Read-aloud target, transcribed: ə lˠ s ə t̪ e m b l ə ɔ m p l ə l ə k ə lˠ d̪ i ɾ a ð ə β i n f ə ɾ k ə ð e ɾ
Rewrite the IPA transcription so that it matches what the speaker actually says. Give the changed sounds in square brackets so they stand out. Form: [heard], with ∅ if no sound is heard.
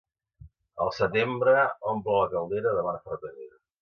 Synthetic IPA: ə lˠ s ə t̪ e m b [ɾ] ə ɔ m p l ə l ə k ə lˠ d̪ [e] ɾ [ə] ð ə β [a] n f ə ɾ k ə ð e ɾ